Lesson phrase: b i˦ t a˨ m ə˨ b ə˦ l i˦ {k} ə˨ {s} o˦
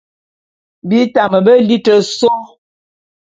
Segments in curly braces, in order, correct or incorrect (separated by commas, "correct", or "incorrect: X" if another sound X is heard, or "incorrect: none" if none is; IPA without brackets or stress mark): incorrect: t, correct